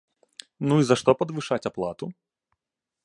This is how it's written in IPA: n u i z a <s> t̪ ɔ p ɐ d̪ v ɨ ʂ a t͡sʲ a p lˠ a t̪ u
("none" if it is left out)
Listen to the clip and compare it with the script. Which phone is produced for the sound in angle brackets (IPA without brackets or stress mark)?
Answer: ʂ